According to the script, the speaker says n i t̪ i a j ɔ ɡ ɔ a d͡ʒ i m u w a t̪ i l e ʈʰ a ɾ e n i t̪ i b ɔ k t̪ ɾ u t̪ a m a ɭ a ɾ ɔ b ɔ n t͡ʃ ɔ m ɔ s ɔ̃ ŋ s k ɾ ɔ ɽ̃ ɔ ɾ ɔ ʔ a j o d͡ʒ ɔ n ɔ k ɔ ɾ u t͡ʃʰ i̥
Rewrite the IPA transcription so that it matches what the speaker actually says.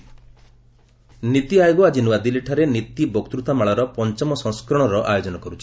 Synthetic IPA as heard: n i t̪ i a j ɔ ɡ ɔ a d͡ʒ i n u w a d̪ i l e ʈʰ a ɾ e n i t̪ i b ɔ k t̪ ɾ u t̪ a m a ɭ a ɾ ɔ p ɔ n t͡ʃ ɔ m ɔ s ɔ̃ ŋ s k ɾ ɔ ɽ̃ ɔ ɾ ɔ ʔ a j o d͡ʒ ɔ n ɔ k ɔ ɾ u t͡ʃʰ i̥